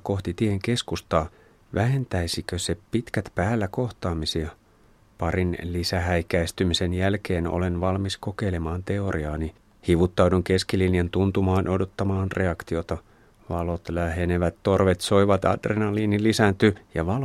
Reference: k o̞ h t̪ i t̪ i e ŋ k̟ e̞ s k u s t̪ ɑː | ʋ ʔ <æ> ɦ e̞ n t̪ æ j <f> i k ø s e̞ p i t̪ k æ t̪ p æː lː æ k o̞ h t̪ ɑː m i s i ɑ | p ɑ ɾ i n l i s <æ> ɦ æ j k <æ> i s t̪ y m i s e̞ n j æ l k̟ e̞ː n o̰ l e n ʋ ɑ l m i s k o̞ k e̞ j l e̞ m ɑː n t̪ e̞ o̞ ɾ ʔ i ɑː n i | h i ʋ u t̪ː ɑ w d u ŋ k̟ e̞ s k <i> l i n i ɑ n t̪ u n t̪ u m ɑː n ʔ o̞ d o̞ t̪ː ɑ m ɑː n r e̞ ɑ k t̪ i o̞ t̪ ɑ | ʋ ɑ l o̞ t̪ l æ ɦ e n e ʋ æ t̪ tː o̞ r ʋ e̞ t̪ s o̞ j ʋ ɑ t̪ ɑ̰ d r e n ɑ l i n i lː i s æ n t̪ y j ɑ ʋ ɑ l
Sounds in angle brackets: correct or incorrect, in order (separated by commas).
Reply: correct, incorrect, correct, correct, correct